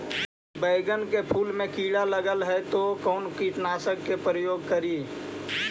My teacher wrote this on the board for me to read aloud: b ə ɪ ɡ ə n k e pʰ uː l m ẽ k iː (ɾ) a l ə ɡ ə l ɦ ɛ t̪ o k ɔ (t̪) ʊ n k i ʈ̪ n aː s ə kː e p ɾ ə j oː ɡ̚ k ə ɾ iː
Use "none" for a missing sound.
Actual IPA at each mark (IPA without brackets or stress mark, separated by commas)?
ɽ, none